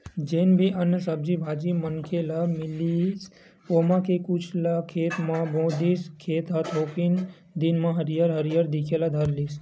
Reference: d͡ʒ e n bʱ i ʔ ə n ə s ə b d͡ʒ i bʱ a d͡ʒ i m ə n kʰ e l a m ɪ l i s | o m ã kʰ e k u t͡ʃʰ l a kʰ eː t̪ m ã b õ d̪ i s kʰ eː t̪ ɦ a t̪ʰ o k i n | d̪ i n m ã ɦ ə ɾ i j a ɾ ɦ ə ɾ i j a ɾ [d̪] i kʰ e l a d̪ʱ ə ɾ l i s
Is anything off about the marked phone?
no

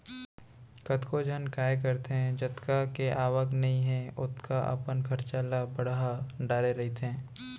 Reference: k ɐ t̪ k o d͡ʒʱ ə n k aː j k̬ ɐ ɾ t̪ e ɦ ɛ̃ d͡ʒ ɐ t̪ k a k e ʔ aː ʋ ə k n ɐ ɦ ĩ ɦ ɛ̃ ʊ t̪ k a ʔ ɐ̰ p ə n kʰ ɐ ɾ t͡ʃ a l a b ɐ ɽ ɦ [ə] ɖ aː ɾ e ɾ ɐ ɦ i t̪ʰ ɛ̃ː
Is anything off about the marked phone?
yes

